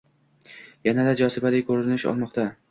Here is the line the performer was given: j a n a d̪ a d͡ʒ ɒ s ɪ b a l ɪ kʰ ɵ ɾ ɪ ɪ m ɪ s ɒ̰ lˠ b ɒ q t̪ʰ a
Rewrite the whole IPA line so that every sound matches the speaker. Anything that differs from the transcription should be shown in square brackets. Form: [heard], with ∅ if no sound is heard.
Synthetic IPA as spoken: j a n a d̪ a d͡ʒ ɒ s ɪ b a l ɪ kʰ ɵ ɾ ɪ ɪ [n] ɪ [ʃ] ɒ̰ lˠ [m] ɒ q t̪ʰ a